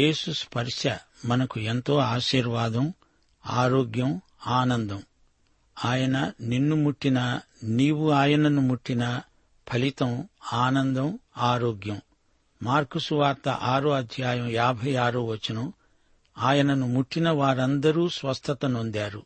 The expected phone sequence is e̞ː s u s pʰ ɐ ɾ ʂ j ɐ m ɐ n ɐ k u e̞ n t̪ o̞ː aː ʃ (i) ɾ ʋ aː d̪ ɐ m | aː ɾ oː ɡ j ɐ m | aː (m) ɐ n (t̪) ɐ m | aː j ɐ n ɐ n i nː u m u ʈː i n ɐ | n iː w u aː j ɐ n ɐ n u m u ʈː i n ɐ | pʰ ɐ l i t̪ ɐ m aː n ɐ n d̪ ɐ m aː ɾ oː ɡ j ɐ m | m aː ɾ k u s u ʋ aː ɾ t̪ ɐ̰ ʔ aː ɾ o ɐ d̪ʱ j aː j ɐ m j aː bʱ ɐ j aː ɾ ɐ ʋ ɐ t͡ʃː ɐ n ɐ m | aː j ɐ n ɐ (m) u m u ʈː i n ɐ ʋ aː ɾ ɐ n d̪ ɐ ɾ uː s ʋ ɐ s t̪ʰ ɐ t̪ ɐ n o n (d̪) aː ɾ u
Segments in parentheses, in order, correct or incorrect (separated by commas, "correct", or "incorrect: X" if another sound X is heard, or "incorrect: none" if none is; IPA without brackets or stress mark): incorrect: iː, incorrect: n, incorrect: d̪, incorrect: n, correct